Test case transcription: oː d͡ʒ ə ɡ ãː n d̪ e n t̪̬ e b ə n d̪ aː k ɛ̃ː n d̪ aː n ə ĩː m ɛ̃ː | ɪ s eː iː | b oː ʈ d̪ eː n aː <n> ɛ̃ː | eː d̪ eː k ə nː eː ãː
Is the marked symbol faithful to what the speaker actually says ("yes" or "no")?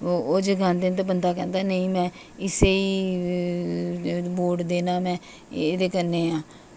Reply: no